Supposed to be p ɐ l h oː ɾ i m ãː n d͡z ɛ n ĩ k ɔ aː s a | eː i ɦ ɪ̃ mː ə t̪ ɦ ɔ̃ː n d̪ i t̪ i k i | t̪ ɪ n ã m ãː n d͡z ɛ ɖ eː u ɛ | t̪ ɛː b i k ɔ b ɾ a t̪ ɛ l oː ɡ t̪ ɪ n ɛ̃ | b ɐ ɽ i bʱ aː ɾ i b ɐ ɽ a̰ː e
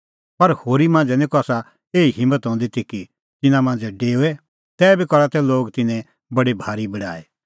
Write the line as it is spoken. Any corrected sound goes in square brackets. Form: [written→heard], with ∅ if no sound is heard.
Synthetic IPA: p ɐ [l→ɾ] h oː ɾ i m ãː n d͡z ɛ n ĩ k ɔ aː s a | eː i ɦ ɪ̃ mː ə t̪ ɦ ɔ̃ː n d̪ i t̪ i k i | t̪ ɪ n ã m ãː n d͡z ɛ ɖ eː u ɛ | t̪ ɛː b i k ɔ [b→∅] ɾ a t̪ ɛ l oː ɡ t̪ ɪ n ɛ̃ | b ɐ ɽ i bʱ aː ɾ i b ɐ ɽ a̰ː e